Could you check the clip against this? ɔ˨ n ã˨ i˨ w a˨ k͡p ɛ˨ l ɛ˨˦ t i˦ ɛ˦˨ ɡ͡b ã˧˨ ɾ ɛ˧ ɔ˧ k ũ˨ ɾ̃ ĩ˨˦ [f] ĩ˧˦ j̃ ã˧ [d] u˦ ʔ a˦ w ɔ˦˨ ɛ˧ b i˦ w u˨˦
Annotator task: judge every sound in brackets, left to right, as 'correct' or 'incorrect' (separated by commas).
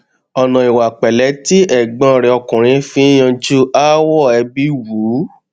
correct, incorrect